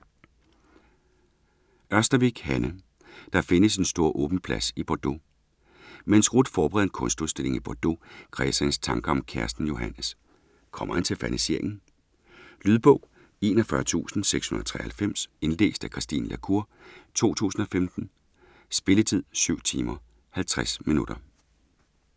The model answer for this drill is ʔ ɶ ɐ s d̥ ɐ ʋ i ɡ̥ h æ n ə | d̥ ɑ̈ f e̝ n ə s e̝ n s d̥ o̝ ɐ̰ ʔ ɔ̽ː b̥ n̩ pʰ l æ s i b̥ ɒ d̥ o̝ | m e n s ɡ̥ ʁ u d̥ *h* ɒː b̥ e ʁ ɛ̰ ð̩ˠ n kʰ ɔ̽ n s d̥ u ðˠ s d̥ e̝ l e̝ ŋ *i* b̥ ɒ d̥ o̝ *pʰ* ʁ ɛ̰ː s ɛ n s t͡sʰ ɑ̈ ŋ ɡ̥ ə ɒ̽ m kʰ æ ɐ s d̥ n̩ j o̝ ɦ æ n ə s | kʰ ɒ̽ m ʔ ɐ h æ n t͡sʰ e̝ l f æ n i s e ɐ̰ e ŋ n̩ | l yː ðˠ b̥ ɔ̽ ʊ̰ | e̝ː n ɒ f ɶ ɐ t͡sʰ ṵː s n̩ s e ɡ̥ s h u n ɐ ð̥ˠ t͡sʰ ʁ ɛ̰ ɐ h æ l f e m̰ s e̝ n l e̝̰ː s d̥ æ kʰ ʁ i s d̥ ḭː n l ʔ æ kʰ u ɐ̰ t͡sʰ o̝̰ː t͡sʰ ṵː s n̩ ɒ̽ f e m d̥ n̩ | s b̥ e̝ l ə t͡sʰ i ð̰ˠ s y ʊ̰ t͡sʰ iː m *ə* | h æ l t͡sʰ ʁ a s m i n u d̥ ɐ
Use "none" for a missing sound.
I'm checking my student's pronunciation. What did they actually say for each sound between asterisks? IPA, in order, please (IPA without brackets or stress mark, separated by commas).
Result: f, i, kʰ, ɐ